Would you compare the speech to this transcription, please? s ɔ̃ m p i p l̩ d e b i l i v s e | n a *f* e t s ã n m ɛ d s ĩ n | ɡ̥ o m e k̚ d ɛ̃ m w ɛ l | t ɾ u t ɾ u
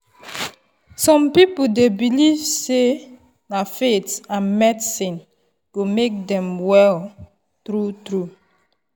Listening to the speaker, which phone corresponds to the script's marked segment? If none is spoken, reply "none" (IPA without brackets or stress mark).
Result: f